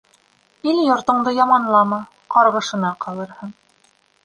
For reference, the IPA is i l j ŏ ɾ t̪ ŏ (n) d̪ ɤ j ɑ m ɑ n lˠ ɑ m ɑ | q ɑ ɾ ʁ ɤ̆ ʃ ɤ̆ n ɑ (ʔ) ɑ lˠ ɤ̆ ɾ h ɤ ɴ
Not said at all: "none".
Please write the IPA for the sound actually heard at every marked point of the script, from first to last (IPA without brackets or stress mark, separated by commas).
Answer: ɴ, q